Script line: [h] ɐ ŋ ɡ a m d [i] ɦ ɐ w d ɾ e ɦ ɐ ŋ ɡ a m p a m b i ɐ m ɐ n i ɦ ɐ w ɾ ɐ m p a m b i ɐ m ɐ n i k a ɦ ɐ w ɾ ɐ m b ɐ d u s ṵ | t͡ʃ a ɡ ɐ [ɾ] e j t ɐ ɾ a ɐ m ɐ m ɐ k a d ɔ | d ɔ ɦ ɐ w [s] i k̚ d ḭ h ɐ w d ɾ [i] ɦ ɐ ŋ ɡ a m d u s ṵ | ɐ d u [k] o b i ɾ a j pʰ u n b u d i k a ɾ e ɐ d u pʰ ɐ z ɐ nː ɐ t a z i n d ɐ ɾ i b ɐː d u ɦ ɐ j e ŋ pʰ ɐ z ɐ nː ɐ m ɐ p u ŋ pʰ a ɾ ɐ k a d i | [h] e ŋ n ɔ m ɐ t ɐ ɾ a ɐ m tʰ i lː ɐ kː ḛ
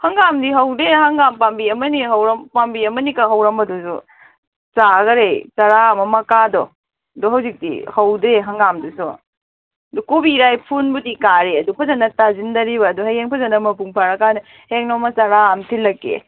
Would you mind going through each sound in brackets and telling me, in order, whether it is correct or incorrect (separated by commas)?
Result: correct, correct, correct, incorrect, incorrect, correct, correct